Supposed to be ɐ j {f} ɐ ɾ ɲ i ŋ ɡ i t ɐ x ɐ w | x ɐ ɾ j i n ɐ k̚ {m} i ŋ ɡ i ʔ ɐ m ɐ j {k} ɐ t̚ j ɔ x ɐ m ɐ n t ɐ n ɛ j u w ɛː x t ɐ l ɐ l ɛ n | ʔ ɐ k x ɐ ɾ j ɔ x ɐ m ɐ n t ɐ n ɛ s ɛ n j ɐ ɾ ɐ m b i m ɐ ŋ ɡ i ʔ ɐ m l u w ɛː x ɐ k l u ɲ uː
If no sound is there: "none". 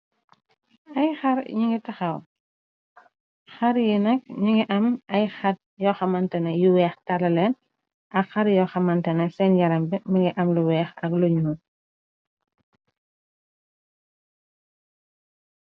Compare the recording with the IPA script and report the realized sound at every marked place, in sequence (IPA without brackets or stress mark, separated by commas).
x, ɲ, x